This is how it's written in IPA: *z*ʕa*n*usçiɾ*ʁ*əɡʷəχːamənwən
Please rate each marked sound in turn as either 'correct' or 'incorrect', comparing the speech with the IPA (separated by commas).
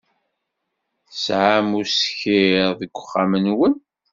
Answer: incorrect, incorrect, incorrect